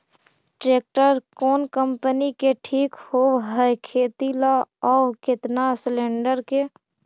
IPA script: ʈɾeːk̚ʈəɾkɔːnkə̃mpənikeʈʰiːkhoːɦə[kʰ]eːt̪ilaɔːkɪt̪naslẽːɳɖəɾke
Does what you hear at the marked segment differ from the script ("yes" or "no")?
no